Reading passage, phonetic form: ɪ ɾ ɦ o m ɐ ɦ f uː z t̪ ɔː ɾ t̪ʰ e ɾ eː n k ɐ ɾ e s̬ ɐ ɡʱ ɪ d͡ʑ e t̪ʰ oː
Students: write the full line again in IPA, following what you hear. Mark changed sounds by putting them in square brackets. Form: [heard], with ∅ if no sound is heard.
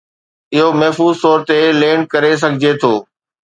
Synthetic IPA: ɪ [∅] ɦ o m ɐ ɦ f uː z t̪ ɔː ɾ [t̪] e [l] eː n k ɐ ɾ e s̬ ɐ ɡʱ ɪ d͡ʑ e t̪ʰ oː